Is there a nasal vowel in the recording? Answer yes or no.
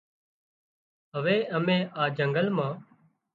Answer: yes